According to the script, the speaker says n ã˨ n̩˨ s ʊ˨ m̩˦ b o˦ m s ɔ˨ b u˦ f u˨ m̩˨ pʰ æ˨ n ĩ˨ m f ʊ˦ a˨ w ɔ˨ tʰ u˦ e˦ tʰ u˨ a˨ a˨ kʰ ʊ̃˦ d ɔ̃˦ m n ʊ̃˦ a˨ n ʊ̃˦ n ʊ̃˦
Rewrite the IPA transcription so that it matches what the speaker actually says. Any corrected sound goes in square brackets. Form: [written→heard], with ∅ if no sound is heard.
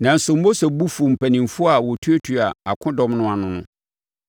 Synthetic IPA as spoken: n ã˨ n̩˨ s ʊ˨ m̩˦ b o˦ [m→∅] s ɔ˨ b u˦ f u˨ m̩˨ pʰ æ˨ n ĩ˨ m f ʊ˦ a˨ w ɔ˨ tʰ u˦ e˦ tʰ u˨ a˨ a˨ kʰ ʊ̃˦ d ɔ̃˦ m n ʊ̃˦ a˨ n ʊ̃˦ n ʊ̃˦

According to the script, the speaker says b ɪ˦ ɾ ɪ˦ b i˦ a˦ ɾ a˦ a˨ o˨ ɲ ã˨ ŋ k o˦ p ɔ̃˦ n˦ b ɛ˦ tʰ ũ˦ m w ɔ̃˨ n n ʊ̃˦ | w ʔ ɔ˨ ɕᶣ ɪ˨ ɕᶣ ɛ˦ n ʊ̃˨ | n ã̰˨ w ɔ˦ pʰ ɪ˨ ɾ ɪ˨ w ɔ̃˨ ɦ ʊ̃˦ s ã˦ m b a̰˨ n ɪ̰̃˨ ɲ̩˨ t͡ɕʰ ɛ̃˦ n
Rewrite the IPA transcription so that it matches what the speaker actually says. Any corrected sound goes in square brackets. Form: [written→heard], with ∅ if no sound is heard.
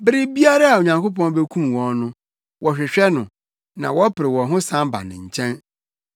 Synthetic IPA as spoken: b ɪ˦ ɾ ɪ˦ b i˦ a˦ ɾ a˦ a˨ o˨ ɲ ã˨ ŋ k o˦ p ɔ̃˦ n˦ b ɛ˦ [tʰ→kʰ] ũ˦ m w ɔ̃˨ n n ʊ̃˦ | w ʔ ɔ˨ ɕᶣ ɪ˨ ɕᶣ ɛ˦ n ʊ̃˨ | n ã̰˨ w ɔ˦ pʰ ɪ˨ ɾ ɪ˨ w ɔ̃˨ ɦ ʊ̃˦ s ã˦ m b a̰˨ n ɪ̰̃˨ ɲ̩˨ t͡ɕʰ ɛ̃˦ n

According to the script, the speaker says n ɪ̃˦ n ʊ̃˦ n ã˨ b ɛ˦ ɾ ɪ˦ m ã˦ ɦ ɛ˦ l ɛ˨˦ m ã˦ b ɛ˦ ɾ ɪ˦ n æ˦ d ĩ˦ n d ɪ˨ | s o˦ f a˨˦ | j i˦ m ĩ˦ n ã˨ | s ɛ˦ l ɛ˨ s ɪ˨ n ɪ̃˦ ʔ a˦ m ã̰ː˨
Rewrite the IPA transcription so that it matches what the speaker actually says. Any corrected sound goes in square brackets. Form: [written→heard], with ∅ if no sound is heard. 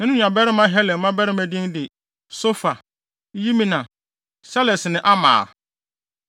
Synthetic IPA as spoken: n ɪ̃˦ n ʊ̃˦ [n→ɲ] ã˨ b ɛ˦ ɾ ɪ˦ m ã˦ ɦ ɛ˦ l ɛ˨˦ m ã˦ b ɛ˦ ɾ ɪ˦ [n→m] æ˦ d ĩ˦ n d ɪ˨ | s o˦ f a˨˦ | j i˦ m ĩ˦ n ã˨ | s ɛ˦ l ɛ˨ s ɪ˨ n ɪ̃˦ ʔ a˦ m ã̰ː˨

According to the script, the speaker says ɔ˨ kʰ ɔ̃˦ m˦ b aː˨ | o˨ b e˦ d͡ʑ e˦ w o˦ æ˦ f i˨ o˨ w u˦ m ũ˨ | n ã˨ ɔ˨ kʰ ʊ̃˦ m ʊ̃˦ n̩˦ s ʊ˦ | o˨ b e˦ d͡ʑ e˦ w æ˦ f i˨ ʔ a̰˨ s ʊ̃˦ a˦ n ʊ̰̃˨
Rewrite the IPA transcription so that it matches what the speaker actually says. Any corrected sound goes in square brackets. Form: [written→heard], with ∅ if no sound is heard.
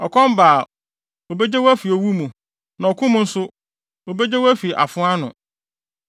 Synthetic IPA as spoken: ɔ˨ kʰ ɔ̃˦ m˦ b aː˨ | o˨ b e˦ d͡ʑ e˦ w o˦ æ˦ f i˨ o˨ w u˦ m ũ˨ | n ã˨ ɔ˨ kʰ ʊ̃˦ m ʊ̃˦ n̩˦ s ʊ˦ | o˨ b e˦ d͡ʑ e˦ w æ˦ f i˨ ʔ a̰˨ [s→f] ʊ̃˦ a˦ n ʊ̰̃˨

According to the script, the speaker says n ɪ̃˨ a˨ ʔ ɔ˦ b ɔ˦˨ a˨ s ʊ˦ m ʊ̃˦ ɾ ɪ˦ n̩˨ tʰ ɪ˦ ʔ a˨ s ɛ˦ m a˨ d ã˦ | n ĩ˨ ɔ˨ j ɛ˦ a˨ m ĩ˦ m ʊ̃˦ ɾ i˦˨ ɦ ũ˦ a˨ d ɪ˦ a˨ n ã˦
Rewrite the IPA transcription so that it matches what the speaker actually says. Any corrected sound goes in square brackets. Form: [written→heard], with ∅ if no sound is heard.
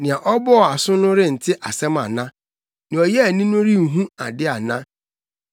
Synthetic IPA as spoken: n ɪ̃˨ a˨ ʔ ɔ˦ b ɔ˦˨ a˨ s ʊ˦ [m→n] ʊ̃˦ ɾ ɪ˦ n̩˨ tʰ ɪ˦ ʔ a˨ s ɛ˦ m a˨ [d→n] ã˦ | n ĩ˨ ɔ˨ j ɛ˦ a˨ [m→n] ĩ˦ [m→n] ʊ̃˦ ɾ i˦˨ ɦ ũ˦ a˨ d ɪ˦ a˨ n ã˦

